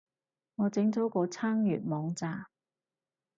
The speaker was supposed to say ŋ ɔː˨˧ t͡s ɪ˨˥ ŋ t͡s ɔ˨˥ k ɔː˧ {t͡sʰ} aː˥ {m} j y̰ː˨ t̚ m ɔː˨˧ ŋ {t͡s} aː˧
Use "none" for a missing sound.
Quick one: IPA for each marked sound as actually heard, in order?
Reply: t͡sʰ, ŋ, t͡s

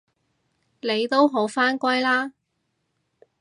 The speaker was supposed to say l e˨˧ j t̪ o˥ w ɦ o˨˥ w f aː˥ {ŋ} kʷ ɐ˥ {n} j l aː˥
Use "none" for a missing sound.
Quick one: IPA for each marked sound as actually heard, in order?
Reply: n, none

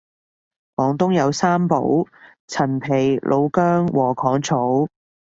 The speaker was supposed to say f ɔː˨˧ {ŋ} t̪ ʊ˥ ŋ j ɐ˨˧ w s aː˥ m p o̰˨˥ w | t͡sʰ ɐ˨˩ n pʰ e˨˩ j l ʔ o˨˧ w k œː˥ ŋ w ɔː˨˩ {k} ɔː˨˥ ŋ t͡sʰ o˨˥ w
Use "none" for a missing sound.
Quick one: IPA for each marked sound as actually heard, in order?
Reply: ŋ, kʰ

